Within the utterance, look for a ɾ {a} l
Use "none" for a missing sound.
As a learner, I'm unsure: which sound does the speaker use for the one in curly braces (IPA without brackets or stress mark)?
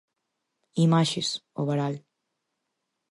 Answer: a